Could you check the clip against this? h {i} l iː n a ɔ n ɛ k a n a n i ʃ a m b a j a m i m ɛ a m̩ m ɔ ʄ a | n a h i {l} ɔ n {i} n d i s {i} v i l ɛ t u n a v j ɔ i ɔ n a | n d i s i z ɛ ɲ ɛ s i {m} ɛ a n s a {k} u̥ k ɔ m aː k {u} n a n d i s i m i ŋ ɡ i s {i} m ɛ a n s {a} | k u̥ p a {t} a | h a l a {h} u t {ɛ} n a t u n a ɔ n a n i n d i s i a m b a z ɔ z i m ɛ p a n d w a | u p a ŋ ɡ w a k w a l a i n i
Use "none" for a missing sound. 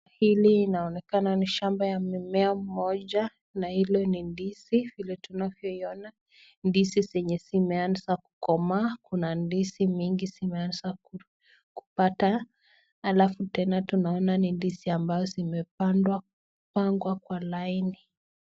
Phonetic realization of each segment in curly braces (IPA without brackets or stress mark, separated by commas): i, l, i, i, m, k, u, i, a, t, f, ɛ